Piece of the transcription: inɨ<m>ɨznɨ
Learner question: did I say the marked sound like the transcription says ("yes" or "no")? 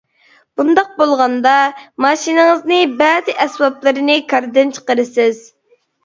no